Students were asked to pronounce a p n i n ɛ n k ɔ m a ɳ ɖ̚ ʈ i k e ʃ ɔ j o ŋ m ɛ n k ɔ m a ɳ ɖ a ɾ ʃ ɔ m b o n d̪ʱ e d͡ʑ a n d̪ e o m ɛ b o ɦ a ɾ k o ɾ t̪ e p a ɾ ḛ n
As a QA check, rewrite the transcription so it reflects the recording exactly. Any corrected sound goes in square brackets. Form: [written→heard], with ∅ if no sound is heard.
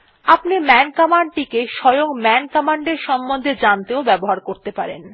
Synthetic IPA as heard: a p n i [n→m] ɛ n k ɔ m a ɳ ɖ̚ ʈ i k e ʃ ɔ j o ŋ m ɛ n k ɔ m a ɳ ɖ [a→e] ɾ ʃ ɔ m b o n d̪ʱ e d͡ʑ a n [d̪→t̪] e o [m→b] ɛ b o ɦ a ɾ k o ɾ t̪ e p a ɾ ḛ n